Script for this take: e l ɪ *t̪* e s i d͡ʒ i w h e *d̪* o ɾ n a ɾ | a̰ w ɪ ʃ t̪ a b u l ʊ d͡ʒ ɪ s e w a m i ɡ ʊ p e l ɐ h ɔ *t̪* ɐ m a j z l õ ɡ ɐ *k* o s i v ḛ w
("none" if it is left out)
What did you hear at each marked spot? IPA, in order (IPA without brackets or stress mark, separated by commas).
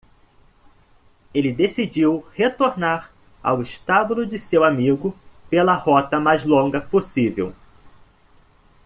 d̪, t̪, t̪, p